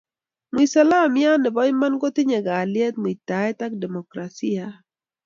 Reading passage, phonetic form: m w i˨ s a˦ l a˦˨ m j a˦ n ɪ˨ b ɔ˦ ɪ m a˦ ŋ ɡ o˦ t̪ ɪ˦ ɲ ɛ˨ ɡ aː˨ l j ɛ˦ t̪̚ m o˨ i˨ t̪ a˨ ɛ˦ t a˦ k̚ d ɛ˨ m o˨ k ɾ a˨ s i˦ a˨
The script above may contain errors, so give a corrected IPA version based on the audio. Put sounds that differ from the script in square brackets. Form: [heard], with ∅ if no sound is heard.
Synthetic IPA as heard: m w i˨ s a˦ l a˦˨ m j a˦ n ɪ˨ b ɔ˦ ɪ m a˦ [n] ɡ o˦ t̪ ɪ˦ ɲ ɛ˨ ɡ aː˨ l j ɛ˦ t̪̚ m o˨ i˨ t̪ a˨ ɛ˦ t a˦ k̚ d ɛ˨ m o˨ k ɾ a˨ s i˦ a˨